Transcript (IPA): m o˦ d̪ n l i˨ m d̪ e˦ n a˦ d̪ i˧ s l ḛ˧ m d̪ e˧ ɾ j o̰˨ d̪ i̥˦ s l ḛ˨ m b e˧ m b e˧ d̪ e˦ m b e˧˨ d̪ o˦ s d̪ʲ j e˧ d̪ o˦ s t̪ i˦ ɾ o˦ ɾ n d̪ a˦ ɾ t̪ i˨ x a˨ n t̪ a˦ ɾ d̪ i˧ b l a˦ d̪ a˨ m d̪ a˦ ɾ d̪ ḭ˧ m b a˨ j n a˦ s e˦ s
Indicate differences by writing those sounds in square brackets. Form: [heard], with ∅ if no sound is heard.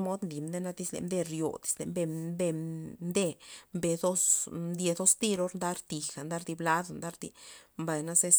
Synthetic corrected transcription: m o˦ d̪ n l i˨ m d̪ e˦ n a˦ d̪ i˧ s l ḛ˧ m d̪ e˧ ɾ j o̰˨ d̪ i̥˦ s l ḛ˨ m b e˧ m b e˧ d̪ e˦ m b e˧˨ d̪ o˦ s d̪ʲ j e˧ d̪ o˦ s t̪ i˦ ɾ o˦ ɾ n d̪ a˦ ɾ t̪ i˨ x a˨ n [d̪] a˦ ɾ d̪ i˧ b l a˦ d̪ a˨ [n] d̪ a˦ ɾ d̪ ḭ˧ m b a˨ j n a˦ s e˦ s

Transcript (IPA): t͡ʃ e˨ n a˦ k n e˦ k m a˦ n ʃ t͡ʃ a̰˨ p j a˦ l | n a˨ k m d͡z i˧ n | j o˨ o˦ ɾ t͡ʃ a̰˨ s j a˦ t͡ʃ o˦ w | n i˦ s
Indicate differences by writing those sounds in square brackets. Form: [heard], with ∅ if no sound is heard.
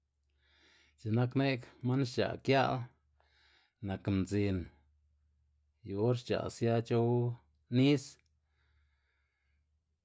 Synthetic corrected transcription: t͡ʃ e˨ n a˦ k n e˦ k m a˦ n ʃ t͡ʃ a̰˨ [k] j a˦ l | n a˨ k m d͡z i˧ n | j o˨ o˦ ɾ t͡ʃ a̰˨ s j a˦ t͡ʃ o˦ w | n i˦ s

